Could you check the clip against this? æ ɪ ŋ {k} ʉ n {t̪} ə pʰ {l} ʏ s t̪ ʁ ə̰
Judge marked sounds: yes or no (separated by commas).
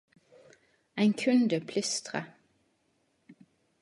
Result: no, no, yes